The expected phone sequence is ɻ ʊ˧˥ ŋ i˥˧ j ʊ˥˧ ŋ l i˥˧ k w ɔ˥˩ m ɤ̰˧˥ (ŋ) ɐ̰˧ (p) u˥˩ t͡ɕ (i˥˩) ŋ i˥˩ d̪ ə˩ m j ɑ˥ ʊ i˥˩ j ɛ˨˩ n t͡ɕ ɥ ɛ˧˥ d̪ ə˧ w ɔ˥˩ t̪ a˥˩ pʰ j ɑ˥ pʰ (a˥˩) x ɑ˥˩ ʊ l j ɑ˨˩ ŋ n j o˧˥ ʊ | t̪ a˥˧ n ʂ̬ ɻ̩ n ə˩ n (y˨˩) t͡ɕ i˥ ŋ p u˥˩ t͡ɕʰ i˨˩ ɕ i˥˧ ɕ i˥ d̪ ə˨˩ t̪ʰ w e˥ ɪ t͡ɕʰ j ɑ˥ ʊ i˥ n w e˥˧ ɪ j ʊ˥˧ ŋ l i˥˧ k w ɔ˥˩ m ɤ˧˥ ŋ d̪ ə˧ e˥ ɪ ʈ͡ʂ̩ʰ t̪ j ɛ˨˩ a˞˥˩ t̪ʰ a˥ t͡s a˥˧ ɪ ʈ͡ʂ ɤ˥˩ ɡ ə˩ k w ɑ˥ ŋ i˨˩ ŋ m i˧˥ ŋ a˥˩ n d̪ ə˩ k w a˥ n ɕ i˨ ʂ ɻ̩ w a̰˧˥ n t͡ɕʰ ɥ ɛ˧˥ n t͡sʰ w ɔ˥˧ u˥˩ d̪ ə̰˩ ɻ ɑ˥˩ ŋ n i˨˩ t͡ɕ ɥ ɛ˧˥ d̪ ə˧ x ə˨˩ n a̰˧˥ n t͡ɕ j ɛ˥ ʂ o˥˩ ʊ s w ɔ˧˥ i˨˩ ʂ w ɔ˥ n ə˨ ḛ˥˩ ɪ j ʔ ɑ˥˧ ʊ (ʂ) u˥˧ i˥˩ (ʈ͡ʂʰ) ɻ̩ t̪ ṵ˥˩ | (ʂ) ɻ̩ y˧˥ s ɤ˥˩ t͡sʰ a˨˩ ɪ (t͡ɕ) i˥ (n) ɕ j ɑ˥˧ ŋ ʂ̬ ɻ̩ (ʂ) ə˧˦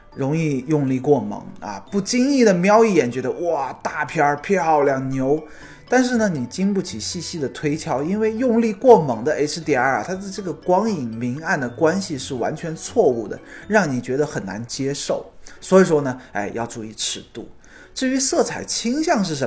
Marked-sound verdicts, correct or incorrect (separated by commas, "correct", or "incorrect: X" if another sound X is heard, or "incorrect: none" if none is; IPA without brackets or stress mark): correct, correct, incorrect: i˥, incorrect: ɛ˥˩, incorrect: i˨˩, incorrect: ʈ͡ʂ, correct, incorrect: ʈ͡ʂ, incorrect: t͡ɕʰ, incorrect: ŋ, correct